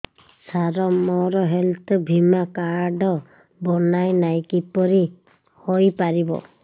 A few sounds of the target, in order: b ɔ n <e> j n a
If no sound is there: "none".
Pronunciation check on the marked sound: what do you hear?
a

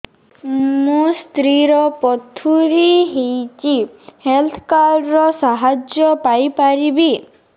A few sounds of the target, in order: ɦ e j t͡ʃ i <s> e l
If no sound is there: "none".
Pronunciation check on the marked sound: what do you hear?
h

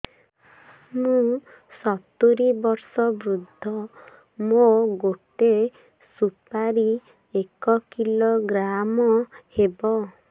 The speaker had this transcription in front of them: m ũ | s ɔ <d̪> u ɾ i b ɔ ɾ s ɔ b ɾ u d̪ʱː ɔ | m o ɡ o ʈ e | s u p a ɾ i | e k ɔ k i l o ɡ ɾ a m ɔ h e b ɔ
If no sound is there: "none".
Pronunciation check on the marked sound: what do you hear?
t̪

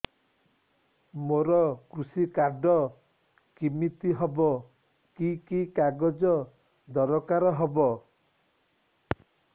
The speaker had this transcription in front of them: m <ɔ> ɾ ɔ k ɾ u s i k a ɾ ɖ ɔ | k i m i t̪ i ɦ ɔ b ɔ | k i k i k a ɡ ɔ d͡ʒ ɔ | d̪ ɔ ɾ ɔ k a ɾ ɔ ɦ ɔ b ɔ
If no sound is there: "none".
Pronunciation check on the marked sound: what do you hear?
o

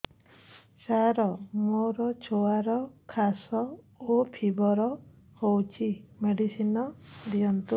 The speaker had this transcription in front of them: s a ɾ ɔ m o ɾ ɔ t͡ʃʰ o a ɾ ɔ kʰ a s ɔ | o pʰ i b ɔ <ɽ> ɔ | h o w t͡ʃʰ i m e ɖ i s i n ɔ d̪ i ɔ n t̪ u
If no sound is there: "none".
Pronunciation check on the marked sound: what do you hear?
ɾ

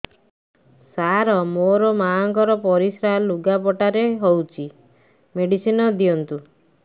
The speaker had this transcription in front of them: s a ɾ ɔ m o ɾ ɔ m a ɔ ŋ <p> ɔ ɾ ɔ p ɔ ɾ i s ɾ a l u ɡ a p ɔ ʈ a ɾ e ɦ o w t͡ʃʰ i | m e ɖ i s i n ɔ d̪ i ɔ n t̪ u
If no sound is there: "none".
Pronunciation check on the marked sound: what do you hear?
k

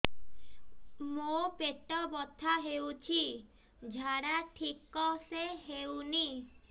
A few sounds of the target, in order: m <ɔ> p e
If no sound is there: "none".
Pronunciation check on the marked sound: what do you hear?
o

